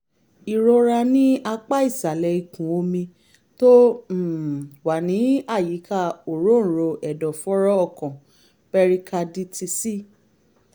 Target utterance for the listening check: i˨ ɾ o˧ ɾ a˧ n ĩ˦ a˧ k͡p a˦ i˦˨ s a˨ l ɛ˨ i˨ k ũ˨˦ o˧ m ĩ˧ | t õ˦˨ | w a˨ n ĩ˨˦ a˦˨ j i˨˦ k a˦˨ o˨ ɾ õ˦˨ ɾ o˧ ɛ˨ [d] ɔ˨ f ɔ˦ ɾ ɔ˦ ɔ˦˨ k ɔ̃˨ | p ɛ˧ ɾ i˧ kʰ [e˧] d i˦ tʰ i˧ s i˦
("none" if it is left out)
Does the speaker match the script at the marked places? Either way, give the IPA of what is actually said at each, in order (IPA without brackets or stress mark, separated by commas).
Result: d, a˧